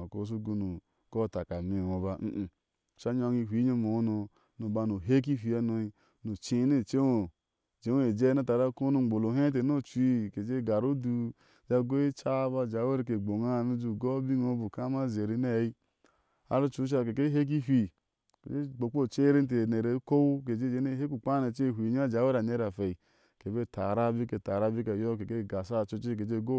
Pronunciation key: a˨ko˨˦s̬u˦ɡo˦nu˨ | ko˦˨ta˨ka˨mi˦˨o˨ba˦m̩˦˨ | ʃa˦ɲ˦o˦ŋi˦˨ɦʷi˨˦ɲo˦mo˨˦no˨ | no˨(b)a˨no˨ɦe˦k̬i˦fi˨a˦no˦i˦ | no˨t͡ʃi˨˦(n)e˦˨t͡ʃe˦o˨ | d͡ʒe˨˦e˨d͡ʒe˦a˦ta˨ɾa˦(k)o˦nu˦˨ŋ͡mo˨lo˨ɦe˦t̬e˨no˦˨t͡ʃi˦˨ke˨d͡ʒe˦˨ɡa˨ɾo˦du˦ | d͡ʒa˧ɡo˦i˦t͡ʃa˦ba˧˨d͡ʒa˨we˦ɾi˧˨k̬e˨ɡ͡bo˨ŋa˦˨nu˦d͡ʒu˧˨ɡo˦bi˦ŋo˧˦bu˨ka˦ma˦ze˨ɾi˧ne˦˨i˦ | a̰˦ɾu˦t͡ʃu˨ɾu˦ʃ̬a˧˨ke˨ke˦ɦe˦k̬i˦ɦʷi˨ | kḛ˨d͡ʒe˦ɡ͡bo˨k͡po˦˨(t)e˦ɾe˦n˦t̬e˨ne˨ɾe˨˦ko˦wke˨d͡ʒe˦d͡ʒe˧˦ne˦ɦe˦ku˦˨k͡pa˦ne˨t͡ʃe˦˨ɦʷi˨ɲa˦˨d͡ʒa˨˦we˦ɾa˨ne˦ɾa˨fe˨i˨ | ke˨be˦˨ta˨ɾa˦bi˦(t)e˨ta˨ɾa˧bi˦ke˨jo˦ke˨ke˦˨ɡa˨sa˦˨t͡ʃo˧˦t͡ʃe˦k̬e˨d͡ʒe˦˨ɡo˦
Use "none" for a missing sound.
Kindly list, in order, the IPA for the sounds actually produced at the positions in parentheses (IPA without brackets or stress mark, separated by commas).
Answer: b, n, k, t͡ʃ, k